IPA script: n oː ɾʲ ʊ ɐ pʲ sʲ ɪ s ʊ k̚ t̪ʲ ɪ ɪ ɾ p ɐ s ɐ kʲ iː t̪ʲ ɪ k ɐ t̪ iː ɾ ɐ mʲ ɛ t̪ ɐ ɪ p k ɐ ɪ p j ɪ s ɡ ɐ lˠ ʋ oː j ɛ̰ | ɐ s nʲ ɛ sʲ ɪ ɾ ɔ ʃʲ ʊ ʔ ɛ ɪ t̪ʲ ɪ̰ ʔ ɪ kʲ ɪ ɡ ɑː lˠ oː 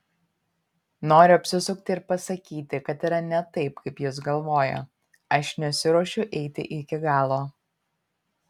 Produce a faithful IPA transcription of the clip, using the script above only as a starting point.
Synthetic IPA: n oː ɾʲ ʊ ɐ pʲ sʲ ɪ s ʊ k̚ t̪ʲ ɪ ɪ ɾ p ɐ s ɐ kʲ iː t̪ʲ ɪ k ɐ t̪ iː ɾ ɐ nʲ ɛ t̪ ɐ ɪ p k ɐ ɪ p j ɪ s ɡ ɐ lˠ ʋ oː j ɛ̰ | ɐ ʃ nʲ ɛ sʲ ɪ ɾ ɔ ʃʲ ʊ ʔ ɛ ɪ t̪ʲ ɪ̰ ʔ ɪ kʲ ɪ ɡ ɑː lˠ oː